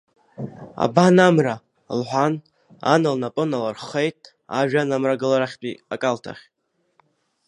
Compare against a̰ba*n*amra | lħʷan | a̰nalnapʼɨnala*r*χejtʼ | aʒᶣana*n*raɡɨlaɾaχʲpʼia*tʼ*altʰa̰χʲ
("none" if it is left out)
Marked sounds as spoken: n, r, m, kʼ

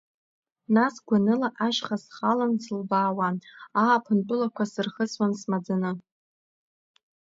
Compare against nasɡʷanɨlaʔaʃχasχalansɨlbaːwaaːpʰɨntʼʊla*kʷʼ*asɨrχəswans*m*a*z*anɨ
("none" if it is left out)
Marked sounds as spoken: kʷ, m, d͡z

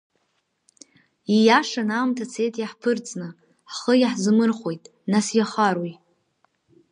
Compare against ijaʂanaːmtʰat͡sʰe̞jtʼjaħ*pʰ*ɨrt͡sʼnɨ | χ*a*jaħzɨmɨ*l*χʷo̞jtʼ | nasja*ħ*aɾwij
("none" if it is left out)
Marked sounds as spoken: pʰ, ə, r, χ

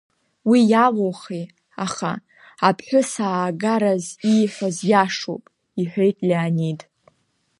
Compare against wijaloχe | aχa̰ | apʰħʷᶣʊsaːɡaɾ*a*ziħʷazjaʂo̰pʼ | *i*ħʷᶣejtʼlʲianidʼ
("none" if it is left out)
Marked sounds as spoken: a, i

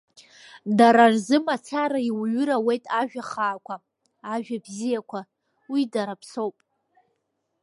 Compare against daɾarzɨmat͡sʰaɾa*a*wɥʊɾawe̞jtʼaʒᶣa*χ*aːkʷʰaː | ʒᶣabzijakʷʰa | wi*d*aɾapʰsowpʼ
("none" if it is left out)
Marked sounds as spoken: i, χ, d

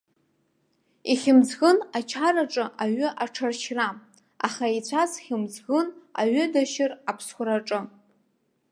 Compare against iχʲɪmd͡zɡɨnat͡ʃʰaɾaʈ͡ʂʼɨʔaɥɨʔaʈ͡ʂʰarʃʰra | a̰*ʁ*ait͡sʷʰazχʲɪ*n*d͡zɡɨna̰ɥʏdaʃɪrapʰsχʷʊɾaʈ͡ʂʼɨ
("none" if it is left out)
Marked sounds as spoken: χ, m

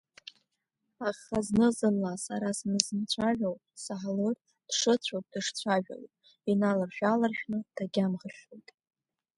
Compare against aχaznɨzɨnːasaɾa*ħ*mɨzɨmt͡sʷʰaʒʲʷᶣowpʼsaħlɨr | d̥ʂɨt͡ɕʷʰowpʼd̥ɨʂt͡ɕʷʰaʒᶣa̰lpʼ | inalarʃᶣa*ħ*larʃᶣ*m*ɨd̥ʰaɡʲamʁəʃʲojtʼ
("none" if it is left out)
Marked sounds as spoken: s, none, n

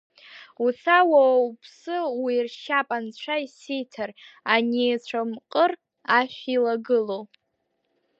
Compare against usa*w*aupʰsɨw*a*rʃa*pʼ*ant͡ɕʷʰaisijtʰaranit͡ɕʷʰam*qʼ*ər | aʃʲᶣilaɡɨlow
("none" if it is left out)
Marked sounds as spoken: w, i, pʼ, qʼ

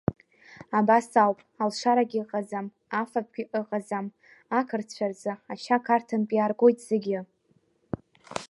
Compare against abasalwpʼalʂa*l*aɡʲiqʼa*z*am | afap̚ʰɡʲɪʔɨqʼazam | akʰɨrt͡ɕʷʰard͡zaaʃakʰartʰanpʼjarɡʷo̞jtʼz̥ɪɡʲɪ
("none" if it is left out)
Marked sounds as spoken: ɾ, z

